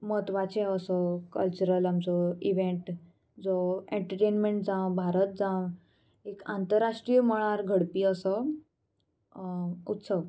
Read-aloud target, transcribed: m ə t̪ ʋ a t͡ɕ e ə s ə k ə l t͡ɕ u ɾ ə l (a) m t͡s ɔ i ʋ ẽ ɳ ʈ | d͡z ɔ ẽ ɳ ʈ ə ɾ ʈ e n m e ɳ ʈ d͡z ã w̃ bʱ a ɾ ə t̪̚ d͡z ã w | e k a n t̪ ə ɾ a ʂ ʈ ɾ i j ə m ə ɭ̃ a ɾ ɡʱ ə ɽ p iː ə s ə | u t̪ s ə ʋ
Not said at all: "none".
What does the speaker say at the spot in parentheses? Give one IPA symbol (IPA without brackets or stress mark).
a